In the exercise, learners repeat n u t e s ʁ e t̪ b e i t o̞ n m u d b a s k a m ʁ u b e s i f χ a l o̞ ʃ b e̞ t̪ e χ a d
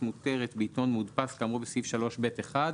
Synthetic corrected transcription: m u t e ʁ e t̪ b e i t o̞ n m u d p a s k a m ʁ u b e s i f ʃ a l o̞ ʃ b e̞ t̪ e χ a d